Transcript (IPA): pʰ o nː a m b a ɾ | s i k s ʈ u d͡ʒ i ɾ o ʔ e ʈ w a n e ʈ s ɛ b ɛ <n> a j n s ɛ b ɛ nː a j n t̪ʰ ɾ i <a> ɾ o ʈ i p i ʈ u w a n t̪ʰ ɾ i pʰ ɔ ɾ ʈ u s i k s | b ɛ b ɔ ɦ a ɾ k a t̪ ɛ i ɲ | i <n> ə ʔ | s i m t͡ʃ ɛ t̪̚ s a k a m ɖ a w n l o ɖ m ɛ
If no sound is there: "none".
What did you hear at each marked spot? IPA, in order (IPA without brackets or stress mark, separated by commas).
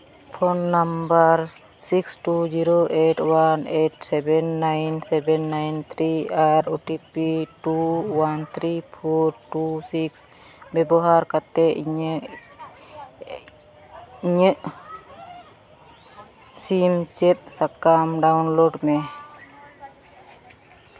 nː, a, ɲ